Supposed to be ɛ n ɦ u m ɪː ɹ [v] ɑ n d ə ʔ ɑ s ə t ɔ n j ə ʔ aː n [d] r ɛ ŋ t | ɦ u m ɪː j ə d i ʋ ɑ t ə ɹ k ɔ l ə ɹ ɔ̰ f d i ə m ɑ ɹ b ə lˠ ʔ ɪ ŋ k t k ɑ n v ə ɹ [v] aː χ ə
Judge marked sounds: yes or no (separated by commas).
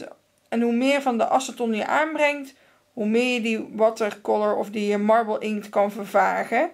yes, no, yes